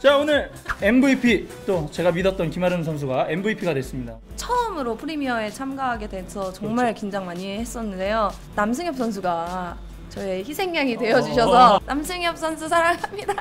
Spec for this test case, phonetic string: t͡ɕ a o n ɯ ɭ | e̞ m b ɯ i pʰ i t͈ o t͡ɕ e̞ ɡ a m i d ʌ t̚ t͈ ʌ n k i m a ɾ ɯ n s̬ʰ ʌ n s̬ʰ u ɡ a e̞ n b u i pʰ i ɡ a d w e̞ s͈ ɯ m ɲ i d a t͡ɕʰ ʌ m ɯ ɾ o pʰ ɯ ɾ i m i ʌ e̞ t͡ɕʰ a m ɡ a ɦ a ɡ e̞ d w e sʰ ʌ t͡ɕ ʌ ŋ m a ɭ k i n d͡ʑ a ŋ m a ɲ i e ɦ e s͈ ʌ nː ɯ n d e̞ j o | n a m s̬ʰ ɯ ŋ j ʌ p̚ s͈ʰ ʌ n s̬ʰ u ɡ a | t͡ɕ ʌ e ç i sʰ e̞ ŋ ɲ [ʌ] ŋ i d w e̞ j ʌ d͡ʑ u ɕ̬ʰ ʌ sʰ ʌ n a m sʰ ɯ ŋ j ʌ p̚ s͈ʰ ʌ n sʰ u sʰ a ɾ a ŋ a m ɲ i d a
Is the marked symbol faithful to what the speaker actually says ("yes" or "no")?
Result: no